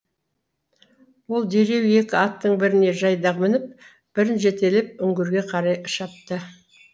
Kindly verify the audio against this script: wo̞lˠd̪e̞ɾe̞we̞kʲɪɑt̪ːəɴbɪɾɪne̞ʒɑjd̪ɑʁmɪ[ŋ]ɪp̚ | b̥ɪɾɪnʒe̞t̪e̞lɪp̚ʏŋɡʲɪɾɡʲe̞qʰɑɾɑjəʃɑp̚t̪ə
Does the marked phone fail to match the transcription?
yes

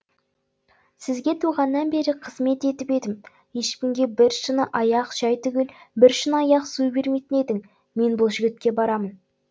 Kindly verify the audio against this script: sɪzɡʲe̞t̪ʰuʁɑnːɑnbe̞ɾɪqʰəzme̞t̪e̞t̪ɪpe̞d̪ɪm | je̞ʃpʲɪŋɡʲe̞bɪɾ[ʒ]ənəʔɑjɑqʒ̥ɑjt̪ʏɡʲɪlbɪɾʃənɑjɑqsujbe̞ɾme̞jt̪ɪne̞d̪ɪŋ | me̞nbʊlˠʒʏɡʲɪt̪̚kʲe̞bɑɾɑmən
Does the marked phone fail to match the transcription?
yes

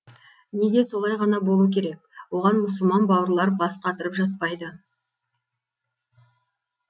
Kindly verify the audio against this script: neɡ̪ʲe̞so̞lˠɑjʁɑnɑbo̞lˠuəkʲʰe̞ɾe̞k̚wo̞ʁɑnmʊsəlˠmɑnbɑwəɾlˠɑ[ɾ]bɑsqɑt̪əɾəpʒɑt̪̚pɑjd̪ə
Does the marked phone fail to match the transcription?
no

